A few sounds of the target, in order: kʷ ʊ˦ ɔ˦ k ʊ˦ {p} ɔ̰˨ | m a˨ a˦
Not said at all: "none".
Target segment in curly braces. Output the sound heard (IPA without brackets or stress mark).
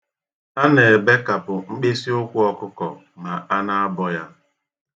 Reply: k